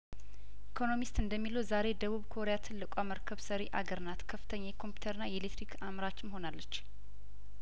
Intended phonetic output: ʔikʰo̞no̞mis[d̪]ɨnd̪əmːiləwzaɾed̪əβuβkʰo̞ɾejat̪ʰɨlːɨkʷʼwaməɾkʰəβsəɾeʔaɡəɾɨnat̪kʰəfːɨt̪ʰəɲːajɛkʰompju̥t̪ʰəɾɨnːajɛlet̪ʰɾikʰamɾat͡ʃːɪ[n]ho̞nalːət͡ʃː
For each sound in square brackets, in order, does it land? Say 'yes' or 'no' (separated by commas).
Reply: no, no